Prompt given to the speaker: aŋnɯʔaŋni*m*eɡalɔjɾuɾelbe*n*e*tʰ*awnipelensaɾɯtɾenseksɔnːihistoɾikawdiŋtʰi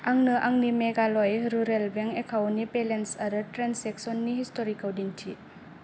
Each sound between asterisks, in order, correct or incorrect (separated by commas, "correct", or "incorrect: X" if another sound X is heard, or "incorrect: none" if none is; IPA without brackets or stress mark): correct, incorrect: ŋ, incorrect: kʰ